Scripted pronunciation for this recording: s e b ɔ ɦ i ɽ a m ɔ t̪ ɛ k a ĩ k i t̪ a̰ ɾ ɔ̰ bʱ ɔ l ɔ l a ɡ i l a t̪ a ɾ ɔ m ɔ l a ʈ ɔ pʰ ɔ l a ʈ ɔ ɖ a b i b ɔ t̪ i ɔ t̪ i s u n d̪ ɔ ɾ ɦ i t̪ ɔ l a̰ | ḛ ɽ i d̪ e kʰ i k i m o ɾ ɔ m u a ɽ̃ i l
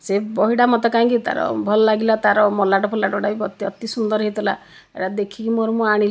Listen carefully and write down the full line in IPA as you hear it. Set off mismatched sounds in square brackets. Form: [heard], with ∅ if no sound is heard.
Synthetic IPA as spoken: s e b ɔ ɦ i ɽ a m ɔ t̪ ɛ k a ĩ k i t̪ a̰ ɾ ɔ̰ bʱ ɔ l ɔ l a ɡ i l a t̪ a ɾ ɔ m ɔ l a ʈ ɔ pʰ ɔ l a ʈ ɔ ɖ a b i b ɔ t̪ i ɔ t̪ i s u n d̪ ɔ ɾ ɦ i t̪ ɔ l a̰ | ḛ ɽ [a] d̪ e kʰ i k i m o ɾ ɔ m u a ɽ̃ i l